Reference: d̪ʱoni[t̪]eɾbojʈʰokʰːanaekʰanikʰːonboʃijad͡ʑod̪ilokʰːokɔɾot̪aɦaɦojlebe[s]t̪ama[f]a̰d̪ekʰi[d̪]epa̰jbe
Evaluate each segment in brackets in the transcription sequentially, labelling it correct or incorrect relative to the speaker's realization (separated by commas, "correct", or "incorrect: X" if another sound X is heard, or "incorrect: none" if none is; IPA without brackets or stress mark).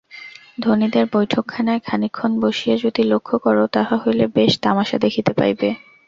incorrect: d̪, incorrect: ʃ, incorrect: ʃ, incorrect: t̪